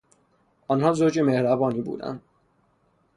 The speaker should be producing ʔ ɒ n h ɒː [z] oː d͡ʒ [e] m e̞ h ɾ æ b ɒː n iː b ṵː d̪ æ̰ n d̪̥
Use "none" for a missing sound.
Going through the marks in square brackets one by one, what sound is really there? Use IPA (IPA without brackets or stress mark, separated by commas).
z, e